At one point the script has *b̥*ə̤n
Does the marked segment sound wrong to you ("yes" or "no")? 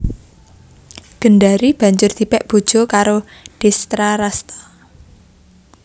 yes